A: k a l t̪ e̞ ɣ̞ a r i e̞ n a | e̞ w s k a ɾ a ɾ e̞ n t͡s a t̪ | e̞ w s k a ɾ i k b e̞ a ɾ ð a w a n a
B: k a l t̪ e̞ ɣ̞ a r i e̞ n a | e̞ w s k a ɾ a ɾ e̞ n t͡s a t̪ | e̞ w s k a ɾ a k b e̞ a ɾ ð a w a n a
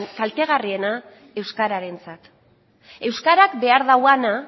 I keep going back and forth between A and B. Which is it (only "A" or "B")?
B